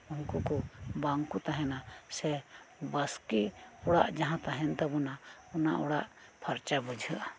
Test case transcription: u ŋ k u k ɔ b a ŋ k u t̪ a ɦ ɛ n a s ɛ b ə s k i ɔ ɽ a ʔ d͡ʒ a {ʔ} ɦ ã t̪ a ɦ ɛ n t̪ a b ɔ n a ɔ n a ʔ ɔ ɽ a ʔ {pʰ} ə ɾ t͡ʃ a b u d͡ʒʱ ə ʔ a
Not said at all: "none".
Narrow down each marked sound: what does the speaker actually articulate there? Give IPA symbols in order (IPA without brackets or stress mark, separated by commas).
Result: none, pʰ